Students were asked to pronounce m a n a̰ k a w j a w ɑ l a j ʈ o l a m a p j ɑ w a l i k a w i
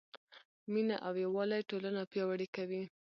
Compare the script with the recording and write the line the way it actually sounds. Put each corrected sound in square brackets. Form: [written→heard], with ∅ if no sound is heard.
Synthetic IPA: m [a→i] n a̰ [k→ʔ] a w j a w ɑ l a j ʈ o l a [m→n] a p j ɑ w a [l→ɽ] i k a w i

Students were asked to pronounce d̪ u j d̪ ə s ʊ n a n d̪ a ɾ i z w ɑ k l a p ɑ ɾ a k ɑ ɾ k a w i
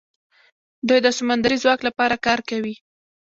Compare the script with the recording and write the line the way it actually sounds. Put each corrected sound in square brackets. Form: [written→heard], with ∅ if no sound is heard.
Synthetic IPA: d̪ u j d̪ ə s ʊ [n→m] a n d̪ a ɾ i z w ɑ k l a p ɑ ɾ a k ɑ ɾ k a w i

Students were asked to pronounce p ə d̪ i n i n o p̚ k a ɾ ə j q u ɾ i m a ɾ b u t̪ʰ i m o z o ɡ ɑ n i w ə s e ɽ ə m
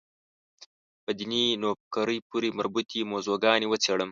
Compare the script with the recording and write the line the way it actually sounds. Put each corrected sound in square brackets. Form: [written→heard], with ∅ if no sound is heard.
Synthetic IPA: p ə d̪ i n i n o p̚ k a ɾ ə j [q→p] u ɾ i m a ɾ b u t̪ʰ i m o z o ɡ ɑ n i w ə [s→t͡s] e ɽ ə m

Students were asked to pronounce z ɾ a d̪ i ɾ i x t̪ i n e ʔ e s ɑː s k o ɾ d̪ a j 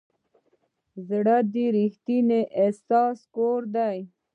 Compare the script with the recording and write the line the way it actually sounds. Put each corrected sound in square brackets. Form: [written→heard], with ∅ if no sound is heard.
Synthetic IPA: z [ɾ→ɽ] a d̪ i ɾ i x t̪ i n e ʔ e s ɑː s k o ɾ d̪ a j

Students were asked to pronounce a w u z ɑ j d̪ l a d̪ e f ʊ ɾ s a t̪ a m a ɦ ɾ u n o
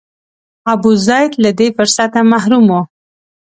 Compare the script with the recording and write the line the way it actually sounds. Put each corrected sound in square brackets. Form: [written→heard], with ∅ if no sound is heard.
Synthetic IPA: a [w→b] u z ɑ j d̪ l a d̪ e f ʊ ɾ s a t̪ a m a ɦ ɾ u [n→m] o

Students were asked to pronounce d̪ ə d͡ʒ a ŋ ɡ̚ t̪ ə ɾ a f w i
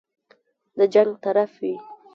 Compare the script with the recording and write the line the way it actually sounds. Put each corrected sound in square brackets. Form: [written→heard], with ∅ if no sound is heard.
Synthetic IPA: d̪ ə d͡ʒ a ŋ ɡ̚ t̪ [ə→a] ɾ a f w i

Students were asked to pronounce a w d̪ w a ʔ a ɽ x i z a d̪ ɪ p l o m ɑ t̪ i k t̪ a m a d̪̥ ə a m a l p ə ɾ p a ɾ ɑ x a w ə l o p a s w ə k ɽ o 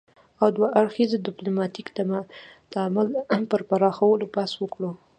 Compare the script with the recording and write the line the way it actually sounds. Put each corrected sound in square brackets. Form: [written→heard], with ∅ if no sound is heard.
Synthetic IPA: a w d̪ w a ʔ a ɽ x i z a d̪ ɪ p l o m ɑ t̪ i k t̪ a m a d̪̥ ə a m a l p ə ɾ p a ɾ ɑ x a w ə l o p a s w ə k ɽ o

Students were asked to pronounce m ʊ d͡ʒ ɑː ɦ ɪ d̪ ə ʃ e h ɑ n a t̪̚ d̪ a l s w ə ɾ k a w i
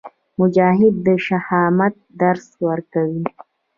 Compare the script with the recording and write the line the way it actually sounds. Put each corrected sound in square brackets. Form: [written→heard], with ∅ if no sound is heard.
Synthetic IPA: m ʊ d͡ʒ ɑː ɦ ɪ [d̪→d̪ː] ə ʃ [e→a] h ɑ [n→m] a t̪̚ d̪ a [l→ɾ] s w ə ɾ k a w i

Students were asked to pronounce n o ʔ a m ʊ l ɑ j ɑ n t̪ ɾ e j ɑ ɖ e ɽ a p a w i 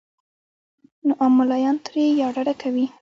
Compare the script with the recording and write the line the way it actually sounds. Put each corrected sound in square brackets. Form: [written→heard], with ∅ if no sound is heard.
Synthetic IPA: n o ʔ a m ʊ l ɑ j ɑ n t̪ ɾ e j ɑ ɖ [e→a] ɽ a [p→k] a w i

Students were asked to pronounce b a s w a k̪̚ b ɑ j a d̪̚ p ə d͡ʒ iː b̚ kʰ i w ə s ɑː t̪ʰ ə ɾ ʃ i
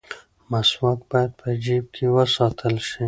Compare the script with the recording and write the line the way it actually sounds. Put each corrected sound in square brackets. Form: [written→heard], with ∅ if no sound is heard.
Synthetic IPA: [b→m] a s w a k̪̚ b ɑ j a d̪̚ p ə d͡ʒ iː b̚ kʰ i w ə s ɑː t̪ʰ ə [ɾ→l] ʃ i

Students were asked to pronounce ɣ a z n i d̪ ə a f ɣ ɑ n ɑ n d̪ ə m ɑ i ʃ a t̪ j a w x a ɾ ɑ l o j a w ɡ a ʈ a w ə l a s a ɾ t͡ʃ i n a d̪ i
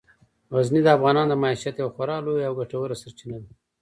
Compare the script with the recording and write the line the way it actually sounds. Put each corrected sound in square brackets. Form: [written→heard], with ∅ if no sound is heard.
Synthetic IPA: ɣ a z n i d̪ ə a f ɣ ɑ n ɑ n d̪ ə m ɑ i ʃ a t̪ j a w x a ɾ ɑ l o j a w ɡ a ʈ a w ə [l→ɾ] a s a ɾ t͡ʃ i n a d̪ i

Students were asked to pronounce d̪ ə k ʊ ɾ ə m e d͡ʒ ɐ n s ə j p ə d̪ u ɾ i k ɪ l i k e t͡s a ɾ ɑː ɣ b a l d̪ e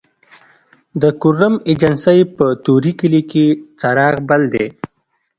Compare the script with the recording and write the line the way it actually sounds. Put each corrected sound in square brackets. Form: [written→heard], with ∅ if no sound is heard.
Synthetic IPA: d̪ ə k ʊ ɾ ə m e d͡ʒ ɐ n s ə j p ə [d̪→t̪] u ɾ i k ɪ l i k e t͡s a ɾ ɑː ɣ b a l d̪ e

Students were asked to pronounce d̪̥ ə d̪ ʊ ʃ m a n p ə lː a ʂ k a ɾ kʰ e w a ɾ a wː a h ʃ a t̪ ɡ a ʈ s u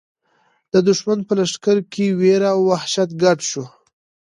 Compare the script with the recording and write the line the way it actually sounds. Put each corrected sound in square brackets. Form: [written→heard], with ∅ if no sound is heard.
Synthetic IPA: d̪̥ ə d̪ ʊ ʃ m a n p ə [lː→l] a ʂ k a ɾ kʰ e w [a→e] ɾ a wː a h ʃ a t̪ ɡ a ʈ [s→ʃ] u

